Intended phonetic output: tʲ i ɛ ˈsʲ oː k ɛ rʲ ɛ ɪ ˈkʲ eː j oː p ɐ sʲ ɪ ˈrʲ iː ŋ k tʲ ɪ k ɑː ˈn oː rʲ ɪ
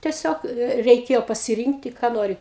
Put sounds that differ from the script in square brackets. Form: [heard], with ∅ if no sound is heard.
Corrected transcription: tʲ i ɛ ˈsʲ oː k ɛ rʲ ɛ ɪ ˈkʲ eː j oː p ɐ sʲ ɪ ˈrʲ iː ŋ k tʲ ɪ k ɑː ˈn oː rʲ ɪ